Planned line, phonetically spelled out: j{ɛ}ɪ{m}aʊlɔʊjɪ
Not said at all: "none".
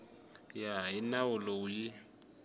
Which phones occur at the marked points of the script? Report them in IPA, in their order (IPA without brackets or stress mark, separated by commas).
a, n